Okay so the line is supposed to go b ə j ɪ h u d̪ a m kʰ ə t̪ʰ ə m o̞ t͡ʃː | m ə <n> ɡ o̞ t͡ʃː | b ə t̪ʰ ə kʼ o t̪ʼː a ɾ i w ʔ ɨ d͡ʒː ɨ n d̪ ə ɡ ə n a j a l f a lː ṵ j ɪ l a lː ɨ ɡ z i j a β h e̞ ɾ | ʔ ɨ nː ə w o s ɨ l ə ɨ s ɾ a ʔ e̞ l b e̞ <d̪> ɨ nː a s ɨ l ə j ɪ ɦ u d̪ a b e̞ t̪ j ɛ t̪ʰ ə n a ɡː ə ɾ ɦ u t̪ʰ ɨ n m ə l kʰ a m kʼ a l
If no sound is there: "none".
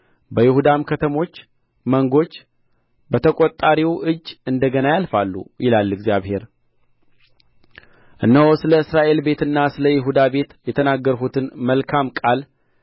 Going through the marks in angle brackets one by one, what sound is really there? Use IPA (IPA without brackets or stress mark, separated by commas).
ŋ, t̪